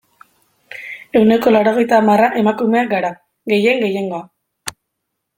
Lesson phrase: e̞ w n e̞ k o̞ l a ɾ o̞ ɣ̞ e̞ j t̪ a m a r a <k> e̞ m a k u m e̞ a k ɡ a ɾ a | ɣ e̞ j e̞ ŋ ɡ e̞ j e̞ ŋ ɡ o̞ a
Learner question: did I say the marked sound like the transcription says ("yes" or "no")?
no